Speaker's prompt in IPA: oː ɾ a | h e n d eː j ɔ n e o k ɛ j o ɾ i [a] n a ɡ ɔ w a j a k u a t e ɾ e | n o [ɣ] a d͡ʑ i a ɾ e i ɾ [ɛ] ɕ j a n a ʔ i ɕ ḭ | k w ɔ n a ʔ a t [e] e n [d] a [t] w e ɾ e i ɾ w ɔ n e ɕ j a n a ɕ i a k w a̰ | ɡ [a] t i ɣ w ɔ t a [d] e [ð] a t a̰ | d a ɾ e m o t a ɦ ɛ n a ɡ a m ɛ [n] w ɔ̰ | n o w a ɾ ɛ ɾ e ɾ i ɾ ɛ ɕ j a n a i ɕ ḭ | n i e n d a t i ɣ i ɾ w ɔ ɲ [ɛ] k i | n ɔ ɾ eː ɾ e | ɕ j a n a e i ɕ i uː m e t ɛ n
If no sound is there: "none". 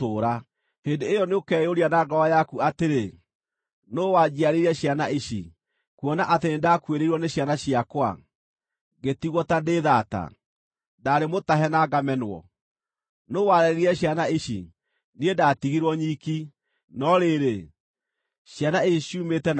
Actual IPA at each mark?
a, w, ɛ, e, d, k, e, d, ð, n, i

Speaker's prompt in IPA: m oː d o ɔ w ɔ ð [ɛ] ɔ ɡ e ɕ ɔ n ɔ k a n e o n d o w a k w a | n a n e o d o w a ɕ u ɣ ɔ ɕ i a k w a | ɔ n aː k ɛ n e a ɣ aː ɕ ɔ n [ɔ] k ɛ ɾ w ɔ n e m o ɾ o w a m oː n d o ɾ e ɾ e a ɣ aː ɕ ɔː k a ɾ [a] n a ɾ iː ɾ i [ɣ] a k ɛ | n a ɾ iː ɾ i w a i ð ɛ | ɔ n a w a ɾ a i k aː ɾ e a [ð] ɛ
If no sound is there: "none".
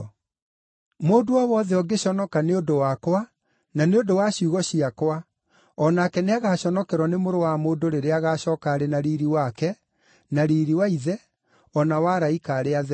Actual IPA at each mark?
ɛ, ɔ, e, w, ð

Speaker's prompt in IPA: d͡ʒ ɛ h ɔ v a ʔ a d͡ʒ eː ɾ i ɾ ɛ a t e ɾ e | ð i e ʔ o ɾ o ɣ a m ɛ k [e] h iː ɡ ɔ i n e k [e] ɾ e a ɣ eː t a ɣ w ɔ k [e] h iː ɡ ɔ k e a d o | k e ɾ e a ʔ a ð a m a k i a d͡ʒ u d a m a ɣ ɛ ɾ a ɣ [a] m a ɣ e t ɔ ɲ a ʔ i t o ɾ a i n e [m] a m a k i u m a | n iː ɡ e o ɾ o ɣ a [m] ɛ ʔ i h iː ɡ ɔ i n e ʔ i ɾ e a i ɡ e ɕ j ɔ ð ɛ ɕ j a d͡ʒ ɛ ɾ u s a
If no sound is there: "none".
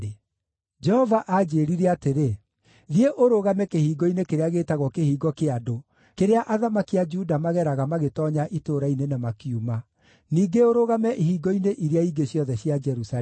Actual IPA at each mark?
e, e, e, a, n, m

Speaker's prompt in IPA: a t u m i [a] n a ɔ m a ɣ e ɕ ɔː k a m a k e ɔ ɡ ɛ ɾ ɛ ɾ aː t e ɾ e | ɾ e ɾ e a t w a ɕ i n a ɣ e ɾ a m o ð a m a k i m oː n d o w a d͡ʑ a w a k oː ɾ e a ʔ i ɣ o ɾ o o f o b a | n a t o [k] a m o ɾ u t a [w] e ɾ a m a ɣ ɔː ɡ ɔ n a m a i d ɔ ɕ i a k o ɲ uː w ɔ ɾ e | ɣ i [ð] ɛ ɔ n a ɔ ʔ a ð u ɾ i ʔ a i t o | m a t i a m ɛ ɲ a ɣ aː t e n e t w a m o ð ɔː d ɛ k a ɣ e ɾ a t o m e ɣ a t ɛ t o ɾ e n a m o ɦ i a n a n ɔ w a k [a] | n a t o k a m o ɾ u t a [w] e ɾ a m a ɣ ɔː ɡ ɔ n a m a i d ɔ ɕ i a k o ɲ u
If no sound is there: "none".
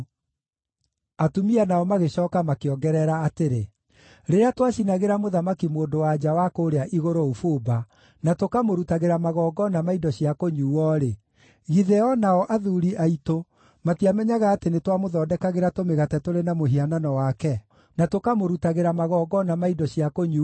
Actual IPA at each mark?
a, k, ɣ, ð, ɛ, ɣ

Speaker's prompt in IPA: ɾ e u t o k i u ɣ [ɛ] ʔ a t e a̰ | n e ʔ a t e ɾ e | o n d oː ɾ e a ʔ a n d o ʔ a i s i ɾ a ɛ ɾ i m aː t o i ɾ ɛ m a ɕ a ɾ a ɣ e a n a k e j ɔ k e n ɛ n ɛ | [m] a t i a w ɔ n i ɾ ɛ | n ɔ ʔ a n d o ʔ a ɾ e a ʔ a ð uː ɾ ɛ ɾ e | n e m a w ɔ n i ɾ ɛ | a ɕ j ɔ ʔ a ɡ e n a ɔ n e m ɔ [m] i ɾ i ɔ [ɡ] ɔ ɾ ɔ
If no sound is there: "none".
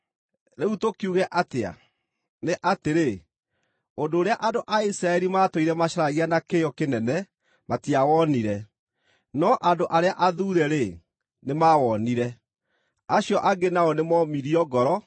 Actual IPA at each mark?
ɛ, m, m, ɡ

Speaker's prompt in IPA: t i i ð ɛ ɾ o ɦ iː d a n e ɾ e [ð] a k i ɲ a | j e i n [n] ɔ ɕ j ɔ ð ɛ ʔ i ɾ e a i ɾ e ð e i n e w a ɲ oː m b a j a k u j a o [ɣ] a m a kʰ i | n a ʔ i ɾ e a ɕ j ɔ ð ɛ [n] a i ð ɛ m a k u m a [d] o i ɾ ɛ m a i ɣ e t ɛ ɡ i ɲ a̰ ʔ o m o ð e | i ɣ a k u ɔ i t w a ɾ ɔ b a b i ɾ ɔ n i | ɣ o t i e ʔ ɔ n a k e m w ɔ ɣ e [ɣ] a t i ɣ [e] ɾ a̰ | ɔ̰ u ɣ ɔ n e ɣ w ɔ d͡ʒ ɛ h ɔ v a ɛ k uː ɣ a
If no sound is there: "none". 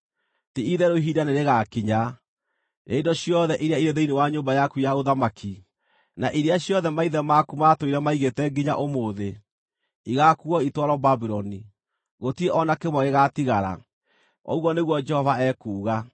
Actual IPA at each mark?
ɣ, d, ð, m, t, ɣ, a

